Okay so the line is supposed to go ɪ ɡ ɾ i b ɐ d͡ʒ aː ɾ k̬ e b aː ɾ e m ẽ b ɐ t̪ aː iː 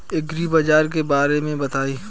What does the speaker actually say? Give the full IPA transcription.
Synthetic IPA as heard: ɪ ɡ ɾ i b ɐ d͡ʒ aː ɾ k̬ e b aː ɾ e m ẽ b ɐ t̪ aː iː